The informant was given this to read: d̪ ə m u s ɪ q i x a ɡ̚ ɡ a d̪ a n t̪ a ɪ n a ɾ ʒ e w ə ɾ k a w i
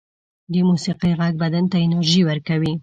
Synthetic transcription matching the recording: d̪ ə m u s i q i ɣ a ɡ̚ b a d̪ a n t̪ a ɪ n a ɾ ʒ i w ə ɾ k a w i